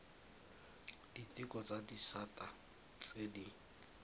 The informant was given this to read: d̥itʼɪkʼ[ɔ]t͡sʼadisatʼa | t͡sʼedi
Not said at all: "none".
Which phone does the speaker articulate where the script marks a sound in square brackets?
ɔ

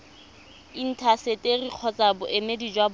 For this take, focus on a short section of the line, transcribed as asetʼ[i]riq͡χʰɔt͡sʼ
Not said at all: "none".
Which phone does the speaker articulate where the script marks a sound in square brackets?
e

